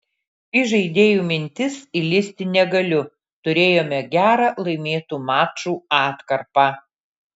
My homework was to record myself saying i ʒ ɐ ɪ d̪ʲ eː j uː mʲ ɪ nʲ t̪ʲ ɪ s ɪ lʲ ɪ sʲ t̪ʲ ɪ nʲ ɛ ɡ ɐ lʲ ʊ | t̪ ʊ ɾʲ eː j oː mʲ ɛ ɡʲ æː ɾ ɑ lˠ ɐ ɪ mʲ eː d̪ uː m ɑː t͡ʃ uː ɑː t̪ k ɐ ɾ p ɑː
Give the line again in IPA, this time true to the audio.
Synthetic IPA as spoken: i ʒ ɐ ɪ d̪ʲ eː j uː mʲ ɪ nʲ t̪ʲ ɪ s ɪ lʲ ɪ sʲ t̪ʲ ɪ nʲ ɛ ɡ ɐ lʲ ʊ | t̪ ʊ ɾʲ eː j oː mʲ ɛ ɡʲ æː ɾ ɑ lˠ ɐ ɪ mʲ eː t̪ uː m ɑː t͡ʃ uː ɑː t̪ k ɐ ɾ p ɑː